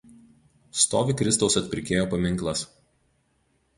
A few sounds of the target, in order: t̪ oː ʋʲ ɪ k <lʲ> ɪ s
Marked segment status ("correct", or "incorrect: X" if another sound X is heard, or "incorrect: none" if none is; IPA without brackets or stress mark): incorrect: ɾʲ